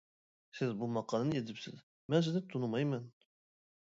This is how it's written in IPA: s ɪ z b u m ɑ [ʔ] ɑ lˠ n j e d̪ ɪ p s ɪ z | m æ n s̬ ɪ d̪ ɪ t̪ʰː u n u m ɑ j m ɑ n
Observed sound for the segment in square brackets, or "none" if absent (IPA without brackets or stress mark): q